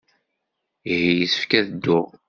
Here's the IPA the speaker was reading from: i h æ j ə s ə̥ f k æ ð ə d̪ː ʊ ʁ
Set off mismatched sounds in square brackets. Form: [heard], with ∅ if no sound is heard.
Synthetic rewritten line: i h [i] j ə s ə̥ f k æ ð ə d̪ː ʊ ʁ